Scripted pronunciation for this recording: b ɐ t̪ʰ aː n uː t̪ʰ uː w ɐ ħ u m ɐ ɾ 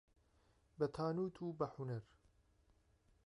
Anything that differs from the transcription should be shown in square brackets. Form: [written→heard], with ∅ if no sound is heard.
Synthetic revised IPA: b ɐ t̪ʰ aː n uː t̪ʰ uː [w→b] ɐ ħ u [m→n] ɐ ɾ